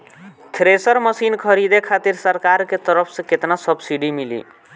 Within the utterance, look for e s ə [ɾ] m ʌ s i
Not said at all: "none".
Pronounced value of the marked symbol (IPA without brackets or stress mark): ɾ